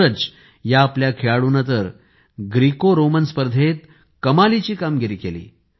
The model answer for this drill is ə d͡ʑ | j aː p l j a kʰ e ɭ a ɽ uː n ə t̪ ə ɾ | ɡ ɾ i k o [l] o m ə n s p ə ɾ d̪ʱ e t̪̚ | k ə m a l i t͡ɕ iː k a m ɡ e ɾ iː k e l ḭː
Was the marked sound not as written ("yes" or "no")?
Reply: yes